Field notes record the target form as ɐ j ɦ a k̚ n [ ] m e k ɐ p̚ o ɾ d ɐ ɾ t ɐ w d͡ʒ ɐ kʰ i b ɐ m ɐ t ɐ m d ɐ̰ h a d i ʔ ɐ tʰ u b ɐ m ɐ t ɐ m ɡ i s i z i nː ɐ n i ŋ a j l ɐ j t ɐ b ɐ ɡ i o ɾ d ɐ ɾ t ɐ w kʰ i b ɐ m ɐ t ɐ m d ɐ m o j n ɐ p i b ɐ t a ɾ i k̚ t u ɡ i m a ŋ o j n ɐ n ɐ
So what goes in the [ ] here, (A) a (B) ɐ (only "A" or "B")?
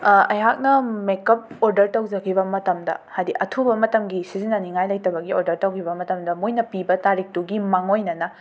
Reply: B